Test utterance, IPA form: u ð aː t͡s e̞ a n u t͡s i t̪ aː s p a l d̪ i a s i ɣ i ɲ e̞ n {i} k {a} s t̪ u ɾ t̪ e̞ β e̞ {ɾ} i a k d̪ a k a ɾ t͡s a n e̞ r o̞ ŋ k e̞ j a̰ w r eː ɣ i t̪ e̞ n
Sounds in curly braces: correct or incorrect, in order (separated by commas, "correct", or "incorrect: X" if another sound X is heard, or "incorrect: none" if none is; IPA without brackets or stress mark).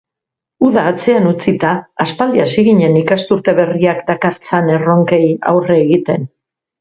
correct, correct, incorrect: r